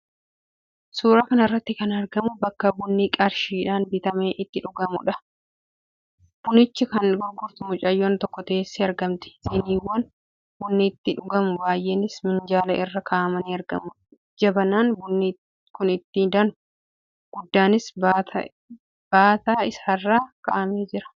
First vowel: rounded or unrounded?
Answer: rounded